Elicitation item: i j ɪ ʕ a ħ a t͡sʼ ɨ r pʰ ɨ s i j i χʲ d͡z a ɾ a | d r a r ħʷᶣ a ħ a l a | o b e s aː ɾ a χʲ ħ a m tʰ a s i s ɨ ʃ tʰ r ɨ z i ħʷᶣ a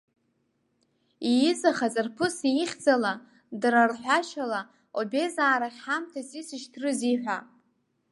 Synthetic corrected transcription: i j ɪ z a χ a t͡sʼ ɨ r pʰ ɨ s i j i χʲ d͡z a l a | d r a r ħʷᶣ a ʃ a l a | o b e z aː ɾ a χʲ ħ a m tʰ a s i s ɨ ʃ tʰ r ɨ z i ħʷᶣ a